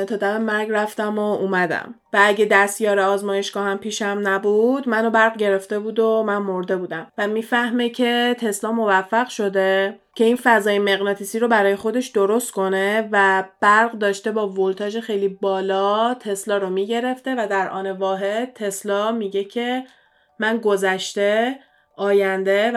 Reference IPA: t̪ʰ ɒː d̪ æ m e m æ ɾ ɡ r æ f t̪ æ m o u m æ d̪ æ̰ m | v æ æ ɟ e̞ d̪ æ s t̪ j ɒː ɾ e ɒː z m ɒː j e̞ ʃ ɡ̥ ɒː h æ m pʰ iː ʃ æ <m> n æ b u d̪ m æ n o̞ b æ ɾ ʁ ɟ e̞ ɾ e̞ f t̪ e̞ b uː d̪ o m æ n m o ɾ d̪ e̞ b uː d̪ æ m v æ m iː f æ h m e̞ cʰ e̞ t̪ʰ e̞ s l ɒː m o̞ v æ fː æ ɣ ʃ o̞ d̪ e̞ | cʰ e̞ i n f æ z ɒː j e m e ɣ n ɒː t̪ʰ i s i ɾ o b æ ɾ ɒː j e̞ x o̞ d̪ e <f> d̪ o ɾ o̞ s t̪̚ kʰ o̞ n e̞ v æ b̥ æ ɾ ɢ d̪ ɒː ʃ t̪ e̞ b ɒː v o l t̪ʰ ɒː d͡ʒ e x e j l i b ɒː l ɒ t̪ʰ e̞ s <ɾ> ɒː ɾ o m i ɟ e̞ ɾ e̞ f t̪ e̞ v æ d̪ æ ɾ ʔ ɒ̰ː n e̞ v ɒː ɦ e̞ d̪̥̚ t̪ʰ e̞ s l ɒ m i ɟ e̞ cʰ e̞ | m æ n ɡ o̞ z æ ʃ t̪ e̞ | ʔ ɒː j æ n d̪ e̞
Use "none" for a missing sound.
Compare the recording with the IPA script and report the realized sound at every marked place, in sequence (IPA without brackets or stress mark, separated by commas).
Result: m, ʃ, l